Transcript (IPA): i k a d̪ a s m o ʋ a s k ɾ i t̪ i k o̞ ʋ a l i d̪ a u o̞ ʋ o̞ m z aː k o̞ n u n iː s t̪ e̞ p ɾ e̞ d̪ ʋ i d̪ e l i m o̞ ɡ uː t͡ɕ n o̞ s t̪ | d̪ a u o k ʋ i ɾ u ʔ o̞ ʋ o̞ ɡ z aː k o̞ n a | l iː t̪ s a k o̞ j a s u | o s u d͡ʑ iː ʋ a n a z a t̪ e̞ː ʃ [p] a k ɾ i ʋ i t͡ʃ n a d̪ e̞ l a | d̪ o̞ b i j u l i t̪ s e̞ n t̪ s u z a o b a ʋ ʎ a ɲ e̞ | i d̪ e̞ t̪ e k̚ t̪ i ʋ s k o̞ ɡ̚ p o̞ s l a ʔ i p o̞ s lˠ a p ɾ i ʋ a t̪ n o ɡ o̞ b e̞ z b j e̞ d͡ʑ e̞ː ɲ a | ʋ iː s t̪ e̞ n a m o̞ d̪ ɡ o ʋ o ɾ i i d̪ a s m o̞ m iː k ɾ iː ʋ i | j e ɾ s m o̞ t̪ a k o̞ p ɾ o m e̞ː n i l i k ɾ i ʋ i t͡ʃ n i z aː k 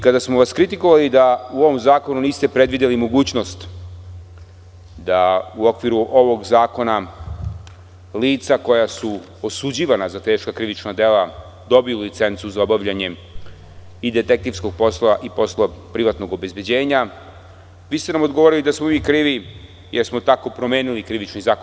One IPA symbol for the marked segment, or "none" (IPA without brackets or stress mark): k